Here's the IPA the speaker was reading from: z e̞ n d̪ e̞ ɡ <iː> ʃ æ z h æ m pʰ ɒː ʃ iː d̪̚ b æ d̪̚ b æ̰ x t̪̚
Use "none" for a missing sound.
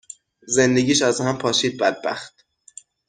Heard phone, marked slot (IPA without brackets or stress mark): iː